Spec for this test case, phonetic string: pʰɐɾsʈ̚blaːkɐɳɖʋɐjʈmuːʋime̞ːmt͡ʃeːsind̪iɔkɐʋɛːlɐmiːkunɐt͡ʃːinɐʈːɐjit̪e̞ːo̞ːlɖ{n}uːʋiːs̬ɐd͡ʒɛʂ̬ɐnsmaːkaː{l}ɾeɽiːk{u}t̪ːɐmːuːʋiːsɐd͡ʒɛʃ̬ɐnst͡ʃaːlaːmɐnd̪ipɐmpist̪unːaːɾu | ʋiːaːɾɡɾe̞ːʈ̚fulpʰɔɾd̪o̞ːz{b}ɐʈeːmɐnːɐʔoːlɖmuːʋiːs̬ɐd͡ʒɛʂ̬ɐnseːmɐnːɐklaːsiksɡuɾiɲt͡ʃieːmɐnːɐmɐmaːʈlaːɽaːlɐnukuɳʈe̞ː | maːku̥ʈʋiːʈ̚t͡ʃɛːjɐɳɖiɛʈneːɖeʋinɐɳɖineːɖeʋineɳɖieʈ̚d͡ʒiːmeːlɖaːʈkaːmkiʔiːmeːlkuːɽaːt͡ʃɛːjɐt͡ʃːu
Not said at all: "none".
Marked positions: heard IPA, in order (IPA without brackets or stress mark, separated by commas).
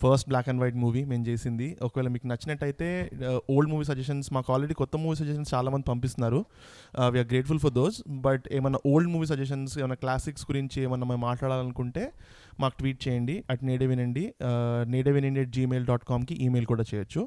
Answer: m, l, ɔ, b